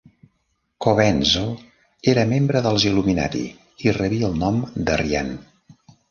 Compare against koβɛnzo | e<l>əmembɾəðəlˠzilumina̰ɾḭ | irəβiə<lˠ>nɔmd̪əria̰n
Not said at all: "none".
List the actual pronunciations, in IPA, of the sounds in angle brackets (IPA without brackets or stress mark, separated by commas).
ɾ, lˠ